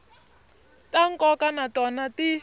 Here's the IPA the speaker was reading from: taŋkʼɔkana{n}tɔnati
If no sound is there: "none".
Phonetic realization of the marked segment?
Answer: none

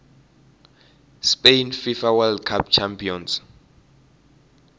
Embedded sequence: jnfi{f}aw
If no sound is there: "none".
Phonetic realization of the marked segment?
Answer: f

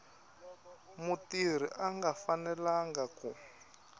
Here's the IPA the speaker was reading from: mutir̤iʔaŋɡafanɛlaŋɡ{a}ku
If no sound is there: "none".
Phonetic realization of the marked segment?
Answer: a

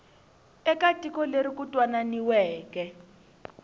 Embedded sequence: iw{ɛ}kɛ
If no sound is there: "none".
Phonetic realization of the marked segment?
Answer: ɛː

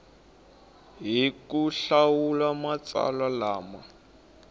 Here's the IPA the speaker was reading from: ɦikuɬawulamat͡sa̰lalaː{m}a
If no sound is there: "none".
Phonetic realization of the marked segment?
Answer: m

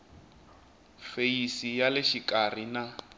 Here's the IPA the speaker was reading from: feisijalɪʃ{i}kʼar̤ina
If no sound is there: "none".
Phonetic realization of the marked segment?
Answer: i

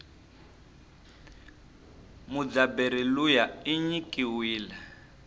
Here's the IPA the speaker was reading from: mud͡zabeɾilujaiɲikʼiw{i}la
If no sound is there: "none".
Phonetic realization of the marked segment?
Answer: iː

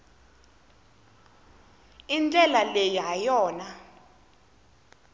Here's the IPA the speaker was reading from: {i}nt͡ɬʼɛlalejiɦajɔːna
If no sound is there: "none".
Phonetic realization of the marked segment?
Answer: i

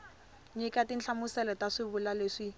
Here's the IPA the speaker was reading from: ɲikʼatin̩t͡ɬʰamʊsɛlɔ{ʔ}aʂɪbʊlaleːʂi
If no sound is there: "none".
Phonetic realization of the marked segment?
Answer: t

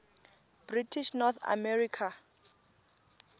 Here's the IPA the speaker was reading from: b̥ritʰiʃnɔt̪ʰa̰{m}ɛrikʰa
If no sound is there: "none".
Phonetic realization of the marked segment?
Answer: m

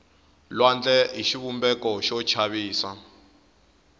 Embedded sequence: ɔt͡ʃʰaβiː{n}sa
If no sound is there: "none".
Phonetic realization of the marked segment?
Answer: none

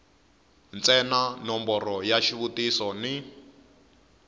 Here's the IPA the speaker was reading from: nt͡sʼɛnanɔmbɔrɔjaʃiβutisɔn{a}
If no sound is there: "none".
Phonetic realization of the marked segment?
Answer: i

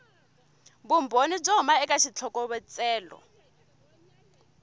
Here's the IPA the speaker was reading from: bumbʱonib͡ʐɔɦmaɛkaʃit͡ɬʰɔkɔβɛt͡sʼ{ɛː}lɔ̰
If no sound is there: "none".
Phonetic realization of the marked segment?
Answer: ɛː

